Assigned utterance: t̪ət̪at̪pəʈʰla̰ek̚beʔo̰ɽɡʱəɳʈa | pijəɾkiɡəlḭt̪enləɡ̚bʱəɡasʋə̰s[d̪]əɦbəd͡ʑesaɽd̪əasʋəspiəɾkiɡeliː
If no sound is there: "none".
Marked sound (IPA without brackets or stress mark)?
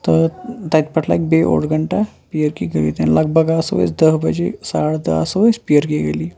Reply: d̪